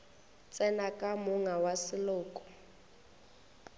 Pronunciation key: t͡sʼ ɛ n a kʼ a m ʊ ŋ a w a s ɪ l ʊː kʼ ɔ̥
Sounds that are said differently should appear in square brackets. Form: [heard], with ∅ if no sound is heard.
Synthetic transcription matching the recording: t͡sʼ ɛ n a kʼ a m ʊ ŋ a w a s ɪ l ʊː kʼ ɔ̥